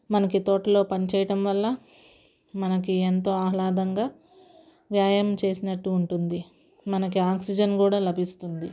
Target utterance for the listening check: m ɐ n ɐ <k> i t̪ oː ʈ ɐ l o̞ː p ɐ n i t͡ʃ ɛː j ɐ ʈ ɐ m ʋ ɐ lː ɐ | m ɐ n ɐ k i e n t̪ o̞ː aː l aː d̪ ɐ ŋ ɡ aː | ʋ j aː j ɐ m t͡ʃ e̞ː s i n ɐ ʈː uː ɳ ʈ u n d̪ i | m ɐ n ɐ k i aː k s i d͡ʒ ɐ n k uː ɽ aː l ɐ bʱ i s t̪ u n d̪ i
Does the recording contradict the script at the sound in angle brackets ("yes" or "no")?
no